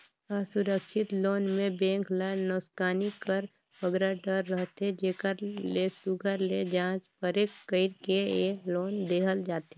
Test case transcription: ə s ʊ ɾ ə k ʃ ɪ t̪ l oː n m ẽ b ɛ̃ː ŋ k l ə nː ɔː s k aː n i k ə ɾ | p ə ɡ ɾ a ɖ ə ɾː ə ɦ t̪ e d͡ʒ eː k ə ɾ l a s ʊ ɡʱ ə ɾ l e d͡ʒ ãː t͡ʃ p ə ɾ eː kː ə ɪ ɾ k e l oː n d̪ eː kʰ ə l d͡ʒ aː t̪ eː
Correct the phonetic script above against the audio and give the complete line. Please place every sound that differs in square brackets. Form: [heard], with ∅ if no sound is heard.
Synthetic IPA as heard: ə s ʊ ɾ ə k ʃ ɪ t̪ l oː n m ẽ b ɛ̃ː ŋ k l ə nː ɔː s k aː n i k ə ɾ | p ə ɡ ɾ a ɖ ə ɾː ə ɦ t̪ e d͡ʒ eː k ə ɾ l [e] s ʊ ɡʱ ə ɾ l e d͡ʒ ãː t͡ʃ p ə ɾ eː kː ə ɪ ɾ k e l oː n d̪ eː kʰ ə l d͡ʒ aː t̪ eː